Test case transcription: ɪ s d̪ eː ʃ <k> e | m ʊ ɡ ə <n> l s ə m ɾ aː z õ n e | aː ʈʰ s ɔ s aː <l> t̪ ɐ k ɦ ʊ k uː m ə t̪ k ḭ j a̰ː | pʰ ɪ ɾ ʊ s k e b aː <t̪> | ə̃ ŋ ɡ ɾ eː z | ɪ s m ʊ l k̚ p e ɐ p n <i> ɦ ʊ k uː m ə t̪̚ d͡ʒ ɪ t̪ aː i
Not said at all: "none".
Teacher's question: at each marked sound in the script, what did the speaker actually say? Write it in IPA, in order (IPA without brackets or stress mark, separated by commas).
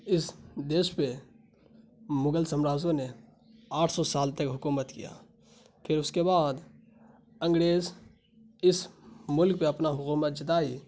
p, none, l, d̪, a